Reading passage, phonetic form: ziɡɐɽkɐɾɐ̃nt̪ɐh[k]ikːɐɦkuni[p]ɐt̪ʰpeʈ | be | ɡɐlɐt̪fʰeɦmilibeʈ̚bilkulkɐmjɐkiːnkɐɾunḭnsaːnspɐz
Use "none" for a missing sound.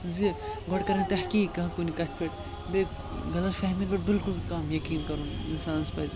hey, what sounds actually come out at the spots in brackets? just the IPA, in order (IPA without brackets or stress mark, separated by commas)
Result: k, k